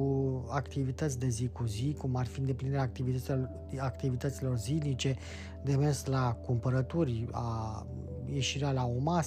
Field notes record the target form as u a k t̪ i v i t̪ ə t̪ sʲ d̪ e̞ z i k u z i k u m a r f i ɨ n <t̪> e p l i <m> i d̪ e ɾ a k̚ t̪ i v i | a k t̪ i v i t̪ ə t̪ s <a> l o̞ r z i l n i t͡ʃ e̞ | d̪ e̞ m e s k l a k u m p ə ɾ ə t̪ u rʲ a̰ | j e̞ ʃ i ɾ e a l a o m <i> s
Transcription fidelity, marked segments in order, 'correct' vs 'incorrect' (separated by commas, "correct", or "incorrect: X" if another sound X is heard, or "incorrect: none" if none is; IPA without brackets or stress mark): incorrect: d̪, incorrect: n, incorrect: i, incorrect: a